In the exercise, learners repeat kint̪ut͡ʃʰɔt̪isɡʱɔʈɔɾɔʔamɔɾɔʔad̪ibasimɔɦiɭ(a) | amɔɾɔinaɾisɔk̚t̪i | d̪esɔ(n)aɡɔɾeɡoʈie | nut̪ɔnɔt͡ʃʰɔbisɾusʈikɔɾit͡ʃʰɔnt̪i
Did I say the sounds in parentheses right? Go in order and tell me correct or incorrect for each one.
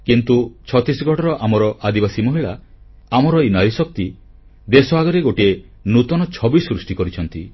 correct, incorrect: none

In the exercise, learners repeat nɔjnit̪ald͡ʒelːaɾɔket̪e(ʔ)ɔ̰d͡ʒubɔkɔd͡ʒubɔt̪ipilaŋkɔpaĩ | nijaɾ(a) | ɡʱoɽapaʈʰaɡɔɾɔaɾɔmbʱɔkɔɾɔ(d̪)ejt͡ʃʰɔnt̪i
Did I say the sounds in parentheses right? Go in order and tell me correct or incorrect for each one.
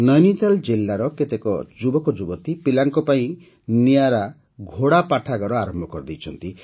incorrect: k, correct, correct

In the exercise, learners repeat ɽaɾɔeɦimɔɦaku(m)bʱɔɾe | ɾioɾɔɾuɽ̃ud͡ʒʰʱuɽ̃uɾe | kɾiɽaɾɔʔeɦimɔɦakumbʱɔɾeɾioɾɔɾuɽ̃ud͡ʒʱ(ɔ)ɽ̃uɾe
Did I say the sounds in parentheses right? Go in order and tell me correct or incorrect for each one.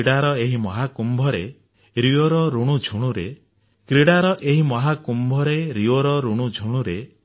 correct, incorrect: u

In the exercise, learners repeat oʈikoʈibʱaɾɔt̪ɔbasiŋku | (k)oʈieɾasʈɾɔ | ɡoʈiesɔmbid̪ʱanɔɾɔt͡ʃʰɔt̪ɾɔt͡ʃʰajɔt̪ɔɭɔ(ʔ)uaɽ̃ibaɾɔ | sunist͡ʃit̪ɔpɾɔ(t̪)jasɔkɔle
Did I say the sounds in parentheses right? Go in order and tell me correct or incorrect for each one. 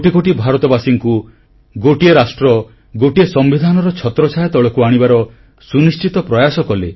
incorrect: ɡ, incorrect: k, incorrect: none

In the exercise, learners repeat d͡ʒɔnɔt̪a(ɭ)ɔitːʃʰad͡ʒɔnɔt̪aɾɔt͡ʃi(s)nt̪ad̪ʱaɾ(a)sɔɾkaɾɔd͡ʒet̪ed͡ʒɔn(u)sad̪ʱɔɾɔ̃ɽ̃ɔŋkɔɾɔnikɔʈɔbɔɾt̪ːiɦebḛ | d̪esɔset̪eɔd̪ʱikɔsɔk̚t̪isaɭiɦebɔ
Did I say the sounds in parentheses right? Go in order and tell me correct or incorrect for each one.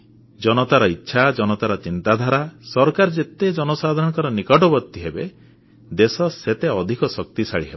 incorrect: ɾ, incorrect: none, correct, incorrect: ɔ

